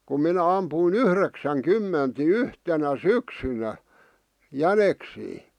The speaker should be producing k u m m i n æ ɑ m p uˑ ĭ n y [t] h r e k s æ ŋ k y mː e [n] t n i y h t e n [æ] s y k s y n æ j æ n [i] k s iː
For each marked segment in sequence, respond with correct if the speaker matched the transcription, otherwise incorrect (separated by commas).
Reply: incorrect, correct, correct, incorrect